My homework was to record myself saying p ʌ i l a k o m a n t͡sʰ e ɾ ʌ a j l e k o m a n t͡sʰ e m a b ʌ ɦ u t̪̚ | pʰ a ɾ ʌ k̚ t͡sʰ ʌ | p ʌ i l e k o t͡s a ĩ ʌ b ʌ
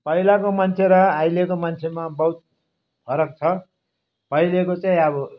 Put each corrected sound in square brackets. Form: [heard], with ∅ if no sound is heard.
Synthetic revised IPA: p ʌ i l a k o m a n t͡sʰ e ɾ ʌ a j l e k o m a n t͡sʰ e m a b ʌ ɦ u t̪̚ | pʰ [ʌ] ɾ ʌ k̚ t͡sʰ ʌ | p ʌ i l e k o t͡s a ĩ ʌ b ʌ

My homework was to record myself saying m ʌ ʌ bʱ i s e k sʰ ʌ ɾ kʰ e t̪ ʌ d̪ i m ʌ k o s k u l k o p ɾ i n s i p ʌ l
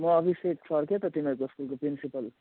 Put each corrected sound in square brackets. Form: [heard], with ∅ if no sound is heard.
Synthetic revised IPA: m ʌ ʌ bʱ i s e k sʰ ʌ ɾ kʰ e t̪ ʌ [t̪] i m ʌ k o s k u l k o p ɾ i n s i p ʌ l

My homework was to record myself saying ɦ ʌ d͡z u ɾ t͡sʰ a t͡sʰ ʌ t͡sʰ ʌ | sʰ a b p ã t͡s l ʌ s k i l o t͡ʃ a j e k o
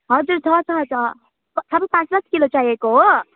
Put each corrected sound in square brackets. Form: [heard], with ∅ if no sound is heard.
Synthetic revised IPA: ɦ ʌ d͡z u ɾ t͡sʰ [ʌ] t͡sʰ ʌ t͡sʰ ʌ | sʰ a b p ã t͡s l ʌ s k i l o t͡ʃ a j e k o

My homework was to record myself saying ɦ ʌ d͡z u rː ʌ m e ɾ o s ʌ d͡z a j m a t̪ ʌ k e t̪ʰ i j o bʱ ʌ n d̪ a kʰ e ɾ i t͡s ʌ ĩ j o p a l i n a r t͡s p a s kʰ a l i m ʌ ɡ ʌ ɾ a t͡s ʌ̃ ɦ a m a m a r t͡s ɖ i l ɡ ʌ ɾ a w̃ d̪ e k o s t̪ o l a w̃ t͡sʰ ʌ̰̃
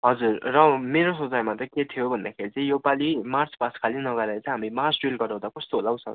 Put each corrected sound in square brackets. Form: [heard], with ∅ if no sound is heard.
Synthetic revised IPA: ɦ ʌ d͡z u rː ʌ m e ɾ o s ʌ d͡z a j m a t̪ ʌ k e t̪ʰ i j o bʱ ʌ n d̪ a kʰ e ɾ i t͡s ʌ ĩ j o p a l i [m] a r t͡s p a s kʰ a l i [n] ʌ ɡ ʌ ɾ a t͡s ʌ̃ ɦ a m [i] m a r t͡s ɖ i l ɡ ʌ ɾ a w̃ d̪ [a] k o s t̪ o l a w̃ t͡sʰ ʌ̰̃

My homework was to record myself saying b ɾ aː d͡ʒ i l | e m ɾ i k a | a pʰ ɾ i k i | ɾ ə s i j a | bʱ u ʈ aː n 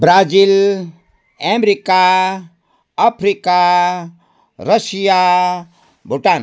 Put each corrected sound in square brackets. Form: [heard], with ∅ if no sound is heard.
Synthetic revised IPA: b ɾ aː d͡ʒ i l | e m ɾ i k a | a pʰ ɾ i k [a] | ɾ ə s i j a | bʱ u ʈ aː n

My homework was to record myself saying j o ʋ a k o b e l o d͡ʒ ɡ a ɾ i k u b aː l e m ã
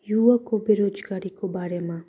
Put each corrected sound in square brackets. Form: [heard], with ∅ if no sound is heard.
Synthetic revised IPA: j [u] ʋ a k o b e [ɾ] o d͡ʒ ɡ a ɾ i k [o] b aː [ɾ] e m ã

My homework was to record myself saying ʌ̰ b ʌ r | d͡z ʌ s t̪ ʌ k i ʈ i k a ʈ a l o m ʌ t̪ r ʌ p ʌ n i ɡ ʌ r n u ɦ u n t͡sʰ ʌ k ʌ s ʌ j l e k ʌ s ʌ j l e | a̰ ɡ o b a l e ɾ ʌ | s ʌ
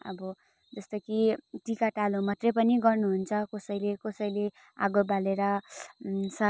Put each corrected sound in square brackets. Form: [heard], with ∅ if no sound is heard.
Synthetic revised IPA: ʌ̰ b ʌ [∅] | d͡z ʌ s t̪ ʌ k i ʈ i k a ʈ a l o m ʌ t̪ r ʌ p ʌ n i ɡ ʌ r n u ɦ u n t͡sʰ ʌ k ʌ s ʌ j l e k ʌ s ʌ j l e | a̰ ɡ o b a l e ɾ ʌ | s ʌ

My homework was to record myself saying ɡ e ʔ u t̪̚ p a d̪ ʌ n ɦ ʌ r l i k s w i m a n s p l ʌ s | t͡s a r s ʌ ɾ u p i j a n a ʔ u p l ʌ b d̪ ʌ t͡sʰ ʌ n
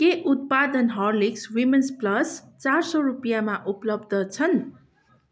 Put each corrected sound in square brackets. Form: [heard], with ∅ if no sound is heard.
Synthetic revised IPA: [k] e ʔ u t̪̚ p a d̪ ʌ n ɦ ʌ r l i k s w i m [e] n s p l ʌ s | t͡s a r s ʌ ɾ u p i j a [m] a ʔ u p l ʌ b d̪ ʌ t͡sʰ ʌ n

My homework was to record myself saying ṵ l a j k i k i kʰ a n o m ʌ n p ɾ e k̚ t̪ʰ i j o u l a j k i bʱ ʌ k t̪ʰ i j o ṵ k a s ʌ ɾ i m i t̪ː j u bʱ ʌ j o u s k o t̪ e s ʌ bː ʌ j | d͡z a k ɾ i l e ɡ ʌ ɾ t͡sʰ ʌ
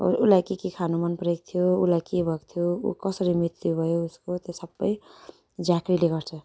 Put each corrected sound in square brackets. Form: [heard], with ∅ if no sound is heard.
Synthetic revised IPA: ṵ l a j k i k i kʰ a n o m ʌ n p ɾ e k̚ t̪ʰ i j o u l a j k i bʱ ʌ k t̪ʰ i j o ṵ k [ʌ] s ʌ ɾ i m i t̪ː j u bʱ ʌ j o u s k o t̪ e s ʌ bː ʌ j | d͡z a k ɾ i l e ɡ ʌ ɾ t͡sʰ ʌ

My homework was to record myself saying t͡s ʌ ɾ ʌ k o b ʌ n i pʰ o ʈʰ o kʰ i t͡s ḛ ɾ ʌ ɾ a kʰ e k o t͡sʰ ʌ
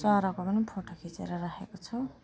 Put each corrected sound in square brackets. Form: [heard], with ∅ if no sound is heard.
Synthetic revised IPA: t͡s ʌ ɾ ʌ k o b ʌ n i pʰ o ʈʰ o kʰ i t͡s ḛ ɾ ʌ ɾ a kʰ e k o t͡sʰ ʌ

